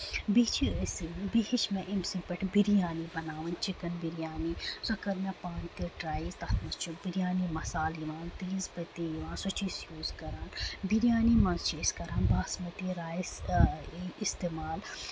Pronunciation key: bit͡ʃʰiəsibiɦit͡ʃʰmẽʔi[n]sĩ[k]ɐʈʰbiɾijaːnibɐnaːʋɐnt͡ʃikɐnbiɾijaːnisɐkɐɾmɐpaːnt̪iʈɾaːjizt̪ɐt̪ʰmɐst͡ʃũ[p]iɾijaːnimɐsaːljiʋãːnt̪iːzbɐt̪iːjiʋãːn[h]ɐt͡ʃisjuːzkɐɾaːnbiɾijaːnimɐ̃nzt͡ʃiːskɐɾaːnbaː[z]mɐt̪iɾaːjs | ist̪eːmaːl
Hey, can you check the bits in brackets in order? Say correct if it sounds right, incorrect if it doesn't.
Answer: incorrect: m, incorrect: p, incorrect: b, incorrect: s, incorrect: s

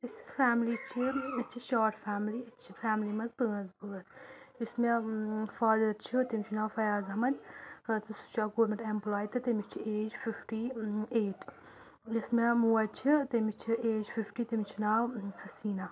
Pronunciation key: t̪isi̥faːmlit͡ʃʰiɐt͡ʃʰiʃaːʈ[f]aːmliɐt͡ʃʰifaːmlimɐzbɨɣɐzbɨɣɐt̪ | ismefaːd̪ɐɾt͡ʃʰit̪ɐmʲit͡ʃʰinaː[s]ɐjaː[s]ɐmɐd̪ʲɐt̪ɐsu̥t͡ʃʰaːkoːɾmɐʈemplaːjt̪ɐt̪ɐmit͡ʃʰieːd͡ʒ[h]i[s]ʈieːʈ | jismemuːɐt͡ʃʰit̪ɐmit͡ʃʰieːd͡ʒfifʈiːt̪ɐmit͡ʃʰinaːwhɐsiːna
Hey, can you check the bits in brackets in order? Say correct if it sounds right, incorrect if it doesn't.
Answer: correct, incorrect: f, incorrect: z, incorrect: f, incorrect: f

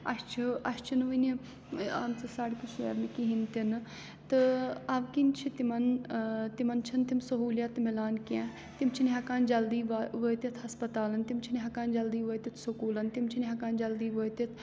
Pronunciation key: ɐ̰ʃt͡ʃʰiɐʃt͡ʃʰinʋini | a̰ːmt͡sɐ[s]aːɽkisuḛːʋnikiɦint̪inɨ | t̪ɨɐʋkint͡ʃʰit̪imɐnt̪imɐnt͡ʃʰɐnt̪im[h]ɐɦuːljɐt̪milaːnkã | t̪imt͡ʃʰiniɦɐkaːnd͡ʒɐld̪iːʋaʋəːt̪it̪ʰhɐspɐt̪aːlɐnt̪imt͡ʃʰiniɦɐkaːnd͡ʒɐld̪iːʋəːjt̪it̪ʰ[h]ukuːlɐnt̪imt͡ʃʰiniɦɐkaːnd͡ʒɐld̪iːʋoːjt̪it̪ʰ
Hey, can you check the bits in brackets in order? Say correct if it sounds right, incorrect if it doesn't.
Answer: correct, incorrect: s, incorrect: s

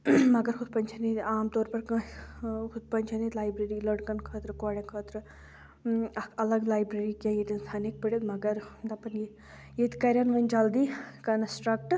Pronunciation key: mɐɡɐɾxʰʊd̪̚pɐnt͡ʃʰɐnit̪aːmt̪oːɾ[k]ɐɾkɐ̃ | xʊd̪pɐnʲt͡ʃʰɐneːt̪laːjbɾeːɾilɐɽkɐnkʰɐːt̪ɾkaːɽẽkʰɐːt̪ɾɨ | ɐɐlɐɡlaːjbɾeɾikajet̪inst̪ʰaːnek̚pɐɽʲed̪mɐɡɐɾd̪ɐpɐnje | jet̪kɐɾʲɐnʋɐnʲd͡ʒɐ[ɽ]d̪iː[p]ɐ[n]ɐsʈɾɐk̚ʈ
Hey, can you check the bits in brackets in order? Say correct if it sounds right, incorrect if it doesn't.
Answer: incorrect: p, incorrect: l, incorrect: k, correct

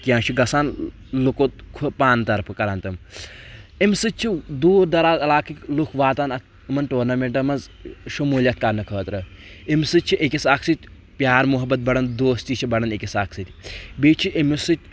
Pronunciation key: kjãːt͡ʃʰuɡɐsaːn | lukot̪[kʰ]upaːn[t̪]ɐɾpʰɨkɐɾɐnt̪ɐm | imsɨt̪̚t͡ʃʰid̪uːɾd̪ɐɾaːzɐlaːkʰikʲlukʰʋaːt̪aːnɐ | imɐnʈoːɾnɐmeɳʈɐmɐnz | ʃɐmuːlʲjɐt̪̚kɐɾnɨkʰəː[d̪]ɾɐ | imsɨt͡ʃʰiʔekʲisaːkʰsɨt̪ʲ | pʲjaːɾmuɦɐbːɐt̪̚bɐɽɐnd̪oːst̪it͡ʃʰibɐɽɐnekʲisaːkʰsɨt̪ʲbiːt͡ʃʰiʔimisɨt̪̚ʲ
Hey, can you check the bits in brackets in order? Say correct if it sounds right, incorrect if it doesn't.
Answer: correct, correct, incorrect: t̪

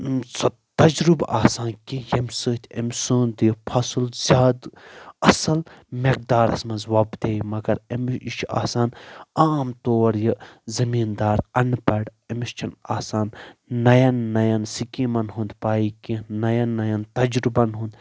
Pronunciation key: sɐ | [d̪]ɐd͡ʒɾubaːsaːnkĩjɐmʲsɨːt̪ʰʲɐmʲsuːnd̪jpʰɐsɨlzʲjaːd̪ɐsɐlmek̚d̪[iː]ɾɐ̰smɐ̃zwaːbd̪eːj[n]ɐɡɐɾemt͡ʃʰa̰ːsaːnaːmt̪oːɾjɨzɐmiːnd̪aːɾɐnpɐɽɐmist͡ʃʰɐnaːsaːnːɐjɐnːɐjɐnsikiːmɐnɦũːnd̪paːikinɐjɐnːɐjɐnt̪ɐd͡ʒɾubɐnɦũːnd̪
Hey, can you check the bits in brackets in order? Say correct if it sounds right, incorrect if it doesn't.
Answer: incorrect: t̪, incorrect: aː, incorrect: m

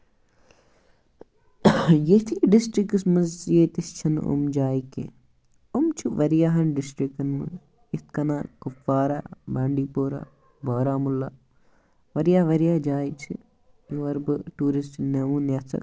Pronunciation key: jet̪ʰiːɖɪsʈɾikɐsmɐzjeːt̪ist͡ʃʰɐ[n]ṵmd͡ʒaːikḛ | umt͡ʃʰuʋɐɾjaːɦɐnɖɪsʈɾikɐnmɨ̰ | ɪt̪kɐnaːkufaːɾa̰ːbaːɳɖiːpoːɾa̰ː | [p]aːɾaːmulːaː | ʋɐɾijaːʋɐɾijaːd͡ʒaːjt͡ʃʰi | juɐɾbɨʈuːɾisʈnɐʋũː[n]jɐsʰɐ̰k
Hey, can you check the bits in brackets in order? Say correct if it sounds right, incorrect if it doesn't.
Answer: correct, incorrect: b, correct

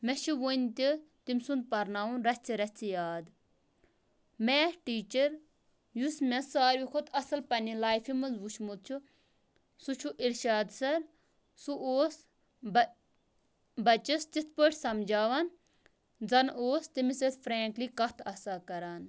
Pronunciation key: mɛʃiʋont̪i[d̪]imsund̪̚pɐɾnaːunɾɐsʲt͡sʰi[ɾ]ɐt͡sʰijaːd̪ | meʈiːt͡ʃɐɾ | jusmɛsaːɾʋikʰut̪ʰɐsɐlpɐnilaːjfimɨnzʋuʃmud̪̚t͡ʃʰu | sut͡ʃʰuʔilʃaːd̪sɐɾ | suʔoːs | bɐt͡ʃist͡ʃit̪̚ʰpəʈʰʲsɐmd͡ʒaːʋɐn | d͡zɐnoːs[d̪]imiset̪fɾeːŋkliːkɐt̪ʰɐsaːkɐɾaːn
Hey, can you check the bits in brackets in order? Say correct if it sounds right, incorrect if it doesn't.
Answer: incorrect: t̪, correct, incorrect: t̪

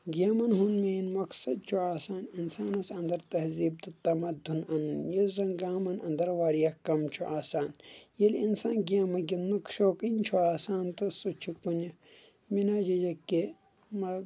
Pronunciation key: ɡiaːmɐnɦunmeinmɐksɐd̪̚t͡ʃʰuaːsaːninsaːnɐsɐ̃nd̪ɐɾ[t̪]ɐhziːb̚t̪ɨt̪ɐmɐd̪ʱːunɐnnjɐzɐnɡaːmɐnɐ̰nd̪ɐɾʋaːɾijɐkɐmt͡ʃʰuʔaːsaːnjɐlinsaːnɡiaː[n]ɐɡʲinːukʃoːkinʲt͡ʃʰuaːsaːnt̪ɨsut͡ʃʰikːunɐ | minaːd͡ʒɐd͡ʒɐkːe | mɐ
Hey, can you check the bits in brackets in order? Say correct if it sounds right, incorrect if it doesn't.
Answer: correct, incorrect: m

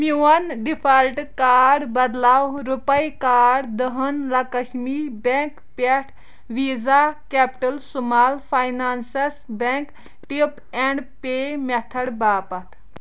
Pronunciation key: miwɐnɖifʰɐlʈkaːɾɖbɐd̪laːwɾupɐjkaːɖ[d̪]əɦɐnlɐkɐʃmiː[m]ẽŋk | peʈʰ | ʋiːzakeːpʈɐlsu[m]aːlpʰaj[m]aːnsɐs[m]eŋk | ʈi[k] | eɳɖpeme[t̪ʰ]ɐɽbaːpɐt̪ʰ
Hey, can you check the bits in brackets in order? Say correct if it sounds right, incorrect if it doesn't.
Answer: correct, incorrect: b, correct, incorrect: n, incorrect: b, incorrect: p, correct

